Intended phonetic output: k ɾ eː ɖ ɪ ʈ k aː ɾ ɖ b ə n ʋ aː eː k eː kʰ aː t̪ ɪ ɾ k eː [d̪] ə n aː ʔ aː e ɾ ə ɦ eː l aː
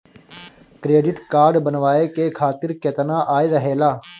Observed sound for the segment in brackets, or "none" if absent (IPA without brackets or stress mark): t̪